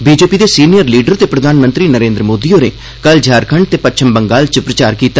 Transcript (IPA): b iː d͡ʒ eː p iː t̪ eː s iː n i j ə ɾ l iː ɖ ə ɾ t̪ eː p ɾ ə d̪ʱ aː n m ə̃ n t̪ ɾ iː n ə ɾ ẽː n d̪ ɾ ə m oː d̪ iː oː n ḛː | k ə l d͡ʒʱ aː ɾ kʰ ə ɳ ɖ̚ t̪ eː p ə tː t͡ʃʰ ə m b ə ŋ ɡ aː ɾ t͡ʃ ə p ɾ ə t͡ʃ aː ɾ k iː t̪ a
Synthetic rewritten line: b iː d͡ʒ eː p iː d̪ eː s iː n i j ə ɾ l iː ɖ ə ɾ t̪ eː p ɾ ə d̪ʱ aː n m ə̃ n t̪ ɾ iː n ə ɾ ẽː n d̪ ɾ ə m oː d̪ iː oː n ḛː | k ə l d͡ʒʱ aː ɾ kʰ ə ɳ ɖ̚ t̪ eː p ə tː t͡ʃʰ ə m b ə ŋ ɡ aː l t͡ʃ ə p ɾ ə t͡ʃ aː ɾ k iː t̪ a